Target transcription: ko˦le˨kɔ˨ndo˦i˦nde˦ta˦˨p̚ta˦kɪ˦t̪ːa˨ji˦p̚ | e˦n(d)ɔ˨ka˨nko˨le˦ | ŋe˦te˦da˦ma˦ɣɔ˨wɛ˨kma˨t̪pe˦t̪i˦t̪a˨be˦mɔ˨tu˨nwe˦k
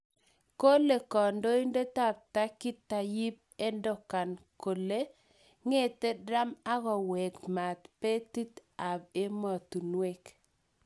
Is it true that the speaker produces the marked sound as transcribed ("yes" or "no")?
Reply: yes